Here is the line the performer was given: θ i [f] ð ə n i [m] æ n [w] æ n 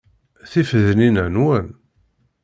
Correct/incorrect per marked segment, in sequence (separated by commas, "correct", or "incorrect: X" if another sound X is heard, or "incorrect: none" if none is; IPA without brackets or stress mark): correct, incorrect: n, correct